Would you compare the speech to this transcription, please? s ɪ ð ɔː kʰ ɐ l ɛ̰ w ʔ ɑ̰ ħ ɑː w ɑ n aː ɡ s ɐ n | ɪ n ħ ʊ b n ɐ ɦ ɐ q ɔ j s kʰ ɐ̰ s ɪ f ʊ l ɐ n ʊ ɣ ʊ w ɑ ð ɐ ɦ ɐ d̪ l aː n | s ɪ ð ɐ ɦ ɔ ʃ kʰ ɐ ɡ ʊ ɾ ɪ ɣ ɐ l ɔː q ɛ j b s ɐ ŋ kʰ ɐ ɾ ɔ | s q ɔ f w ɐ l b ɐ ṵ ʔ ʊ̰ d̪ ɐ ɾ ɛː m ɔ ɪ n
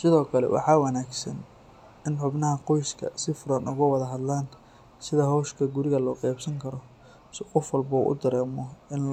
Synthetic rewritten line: s ɪ ð ɔː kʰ ɐ l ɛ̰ w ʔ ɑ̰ ħ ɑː w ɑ n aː ɡ s ɐ n | ɪ n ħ ʊ b n ɐ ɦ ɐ q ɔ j s kʰ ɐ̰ s ɪ f ʊ ɾ ɐ n ʊ ɣ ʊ w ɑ ð ɐ ɦ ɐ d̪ l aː n | s ɪ ð ɐ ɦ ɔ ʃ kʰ ɐ ɡ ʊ ɾ ɪ ɣ ɐ l ɔː q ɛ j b s ɐ ŋ kʰ ɐ ɾ ɔ | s q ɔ f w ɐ l b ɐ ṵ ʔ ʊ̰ d̪ ɐ ɾ ɛː m ɔ ɪ n